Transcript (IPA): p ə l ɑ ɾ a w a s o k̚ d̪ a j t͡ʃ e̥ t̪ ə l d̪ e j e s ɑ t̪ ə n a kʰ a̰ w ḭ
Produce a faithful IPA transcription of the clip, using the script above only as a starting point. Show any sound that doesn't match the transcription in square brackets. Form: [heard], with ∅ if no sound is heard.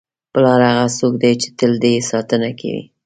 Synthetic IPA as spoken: p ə l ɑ ɾ a [ɣ] a s o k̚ d̪ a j t͡ʃ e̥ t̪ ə l d̪ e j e s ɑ t̪ ə n a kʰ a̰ w ḭ